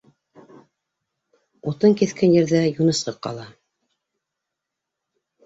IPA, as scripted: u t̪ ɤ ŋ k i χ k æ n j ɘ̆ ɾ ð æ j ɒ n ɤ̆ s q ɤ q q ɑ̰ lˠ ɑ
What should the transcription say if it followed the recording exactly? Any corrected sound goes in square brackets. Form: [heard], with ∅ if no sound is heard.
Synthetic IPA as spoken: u t̪ ɤ ŋ k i [θ] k æ n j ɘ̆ ɾ ð æ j [u] n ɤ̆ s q ɤ q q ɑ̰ lˠ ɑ